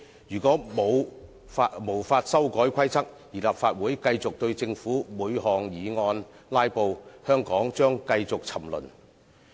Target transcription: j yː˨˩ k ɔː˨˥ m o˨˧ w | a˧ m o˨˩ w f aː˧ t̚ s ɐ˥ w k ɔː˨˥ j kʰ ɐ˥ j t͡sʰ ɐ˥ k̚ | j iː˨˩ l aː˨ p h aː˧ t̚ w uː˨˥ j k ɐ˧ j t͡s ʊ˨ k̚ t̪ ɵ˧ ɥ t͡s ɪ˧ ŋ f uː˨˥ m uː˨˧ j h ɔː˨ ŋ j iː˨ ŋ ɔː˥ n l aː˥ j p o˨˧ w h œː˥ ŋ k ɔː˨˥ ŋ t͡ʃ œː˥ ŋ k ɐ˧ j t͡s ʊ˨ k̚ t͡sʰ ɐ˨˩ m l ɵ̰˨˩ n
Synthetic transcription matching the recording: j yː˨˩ k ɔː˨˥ m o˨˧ w | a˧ m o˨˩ w f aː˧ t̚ s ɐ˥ w k ɔː˨˥ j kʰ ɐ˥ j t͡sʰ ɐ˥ k̚ | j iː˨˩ l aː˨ p f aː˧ t̚ w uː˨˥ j k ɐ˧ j t͡s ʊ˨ k̚ t̪ ɵ˧ ɥ t͡s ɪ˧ ŋ f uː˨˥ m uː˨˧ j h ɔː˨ ŋ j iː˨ ŋ ɔː˧ n l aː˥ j p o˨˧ w h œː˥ ŋ k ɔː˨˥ ŋ t͡ʃ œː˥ ŋ k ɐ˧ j t͡s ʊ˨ k̚ t͡sʰ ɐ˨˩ m l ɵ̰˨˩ n